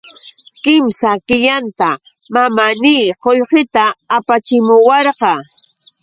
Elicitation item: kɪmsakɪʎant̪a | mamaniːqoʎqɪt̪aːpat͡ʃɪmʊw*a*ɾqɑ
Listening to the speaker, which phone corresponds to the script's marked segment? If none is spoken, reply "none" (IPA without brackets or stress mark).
ɑ